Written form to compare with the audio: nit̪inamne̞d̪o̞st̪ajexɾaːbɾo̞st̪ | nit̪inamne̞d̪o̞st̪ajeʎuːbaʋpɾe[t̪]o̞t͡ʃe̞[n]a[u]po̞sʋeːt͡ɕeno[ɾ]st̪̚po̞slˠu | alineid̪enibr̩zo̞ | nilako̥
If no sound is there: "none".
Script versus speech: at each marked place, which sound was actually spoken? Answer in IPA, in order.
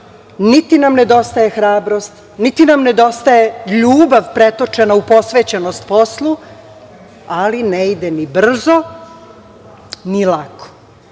t̪, n, u, none

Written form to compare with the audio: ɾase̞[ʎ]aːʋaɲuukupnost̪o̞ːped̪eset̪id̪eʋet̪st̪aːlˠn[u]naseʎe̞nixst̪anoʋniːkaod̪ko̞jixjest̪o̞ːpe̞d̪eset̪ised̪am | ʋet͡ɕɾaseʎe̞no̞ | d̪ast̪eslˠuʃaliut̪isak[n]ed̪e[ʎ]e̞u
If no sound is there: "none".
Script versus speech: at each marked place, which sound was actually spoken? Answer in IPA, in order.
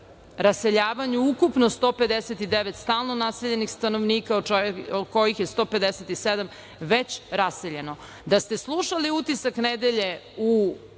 ʎ, o, n, ʎ

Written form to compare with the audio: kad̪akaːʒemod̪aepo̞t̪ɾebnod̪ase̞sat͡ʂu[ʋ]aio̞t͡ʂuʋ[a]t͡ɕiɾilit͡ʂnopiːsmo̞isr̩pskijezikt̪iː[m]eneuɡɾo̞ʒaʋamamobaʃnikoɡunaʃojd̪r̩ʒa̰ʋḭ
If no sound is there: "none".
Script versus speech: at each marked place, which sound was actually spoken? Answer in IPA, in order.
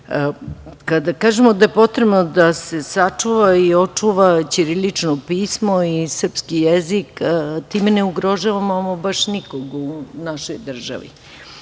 ʋ, a, m

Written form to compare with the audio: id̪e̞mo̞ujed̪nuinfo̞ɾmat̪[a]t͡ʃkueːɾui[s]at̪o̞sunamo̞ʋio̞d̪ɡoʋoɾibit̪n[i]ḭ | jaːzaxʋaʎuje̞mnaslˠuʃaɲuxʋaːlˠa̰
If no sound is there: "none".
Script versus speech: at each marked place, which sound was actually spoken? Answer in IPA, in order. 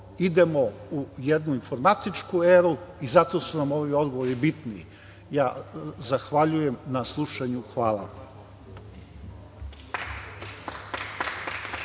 i, z, i

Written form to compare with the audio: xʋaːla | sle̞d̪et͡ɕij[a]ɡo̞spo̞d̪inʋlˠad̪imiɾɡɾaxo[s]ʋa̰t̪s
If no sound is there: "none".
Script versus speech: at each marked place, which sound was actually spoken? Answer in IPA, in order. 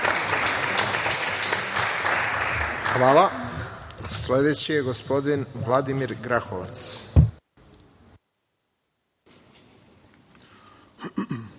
e, none

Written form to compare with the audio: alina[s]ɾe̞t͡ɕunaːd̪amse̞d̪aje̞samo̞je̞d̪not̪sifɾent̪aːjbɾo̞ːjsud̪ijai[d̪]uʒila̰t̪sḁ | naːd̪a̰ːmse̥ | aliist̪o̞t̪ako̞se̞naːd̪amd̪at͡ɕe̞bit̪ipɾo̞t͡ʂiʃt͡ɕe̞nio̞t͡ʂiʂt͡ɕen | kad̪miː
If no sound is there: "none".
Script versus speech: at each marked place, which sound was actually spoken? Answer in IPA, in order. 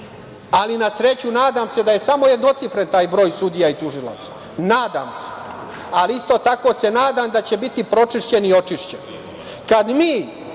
s, t̪

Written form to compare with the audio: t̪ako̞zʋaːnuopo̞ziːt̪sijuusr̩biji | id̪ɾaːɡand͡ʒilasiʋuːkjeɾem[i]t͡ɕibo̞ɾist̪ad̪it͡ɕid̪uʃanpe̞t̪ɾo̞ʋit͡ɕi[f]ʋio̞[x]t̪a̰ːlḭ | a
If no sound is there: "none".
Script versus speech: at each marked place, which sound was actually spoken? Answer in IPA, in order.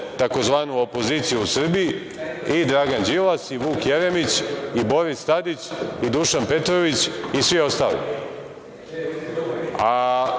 i, s, s

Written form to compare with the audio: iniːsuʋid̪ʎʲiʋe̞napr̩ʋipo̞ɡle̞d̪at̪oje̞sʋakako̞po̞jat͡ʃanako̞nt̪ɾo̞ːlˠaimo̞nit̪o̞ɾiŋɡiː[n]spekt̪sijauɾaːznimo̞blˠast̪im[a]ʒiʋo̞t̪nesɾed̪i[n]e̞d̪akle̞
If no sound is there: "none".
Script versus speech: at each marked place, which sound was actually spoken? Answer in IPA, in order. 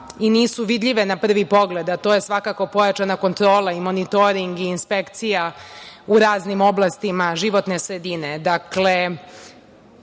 n, a, n

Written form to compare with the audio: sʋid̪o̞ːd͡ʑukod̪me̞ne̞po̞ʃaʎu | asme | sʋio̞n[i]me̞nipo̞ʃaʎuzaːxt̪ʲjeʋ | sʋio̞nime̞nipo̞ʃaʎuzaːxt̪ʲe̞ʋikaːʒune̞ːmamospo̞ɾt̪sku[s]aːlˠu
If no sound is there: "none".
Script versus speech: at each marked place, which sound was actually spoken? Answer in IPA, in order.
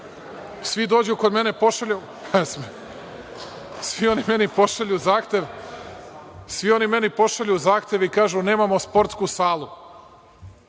i, s

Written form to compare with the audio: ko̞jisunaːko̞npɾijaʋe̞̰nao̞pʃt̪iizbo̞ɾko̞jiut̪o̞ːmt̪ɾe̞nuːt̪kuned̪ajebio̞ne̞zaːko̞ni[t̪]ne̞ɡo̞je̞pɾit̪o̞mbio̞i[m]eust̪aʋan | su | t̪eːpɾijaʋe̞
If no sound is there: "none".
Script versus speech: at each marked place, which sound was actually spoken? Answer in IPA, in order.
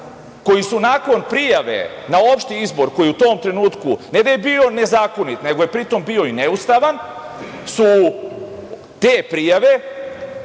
t̪, n

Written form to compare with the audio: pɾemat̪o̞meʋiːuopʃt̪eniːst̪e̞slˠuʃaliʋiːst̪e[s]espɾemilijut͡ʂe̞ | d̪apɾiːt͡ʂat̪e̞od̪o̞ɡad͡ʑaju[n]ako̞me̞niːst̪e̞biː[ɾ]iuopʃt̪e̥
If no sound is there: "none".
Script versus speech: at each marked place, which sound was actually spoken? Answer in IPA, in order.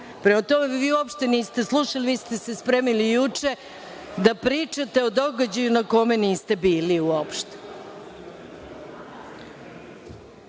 s, n, l

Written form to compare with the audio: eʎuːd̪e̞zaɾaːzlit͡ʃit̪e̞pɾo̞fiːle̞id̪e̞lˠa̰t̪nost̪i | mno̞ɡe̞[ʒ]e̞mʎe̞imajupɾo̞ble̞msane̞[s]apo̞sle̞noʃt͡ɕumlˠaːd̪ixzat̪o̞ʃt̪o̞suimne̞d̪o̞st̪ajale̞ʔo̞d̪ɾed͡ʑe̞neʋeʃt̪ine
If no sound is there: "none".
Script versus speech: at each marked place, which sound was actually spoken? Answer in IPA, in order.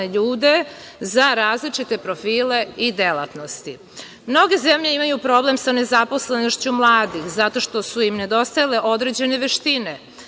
z, z

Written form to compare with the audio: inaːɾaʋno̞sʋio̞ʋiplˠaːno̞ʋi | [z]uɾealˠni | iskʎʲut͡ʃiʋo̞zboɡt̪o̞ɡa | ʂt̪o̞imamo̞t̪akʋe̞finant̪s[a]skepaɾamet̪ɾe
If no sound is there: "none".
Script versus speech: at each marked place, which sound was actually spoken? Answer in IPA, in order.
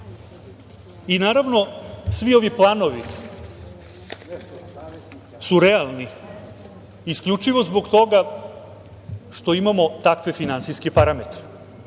s, i

